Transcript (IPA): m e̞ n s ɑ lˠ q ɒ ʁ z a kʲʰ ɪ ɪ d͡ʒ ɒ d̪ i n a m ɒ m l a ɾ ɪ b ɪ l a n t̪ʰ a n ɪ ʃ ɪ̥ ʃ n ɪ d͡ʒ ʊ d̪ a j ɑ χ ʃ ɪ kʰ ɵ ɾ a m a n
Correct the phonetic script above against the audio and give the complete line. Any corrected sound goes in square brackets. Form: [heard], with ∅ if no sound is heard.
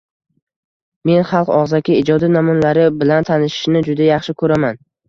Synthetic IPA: m e̞ n [χ] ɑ lˠ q ɒ ʁ z a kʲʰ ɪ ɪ d͡ʒ ɒ d̪ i n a m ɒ [n] l a ɾ ɪ b ɪ l a n t̪ʰ a n ɪ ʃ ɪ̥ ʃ n ɪ d͡ʒ ʊ d̪ a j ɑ χ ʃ ɪ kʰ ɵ ɾ a m a n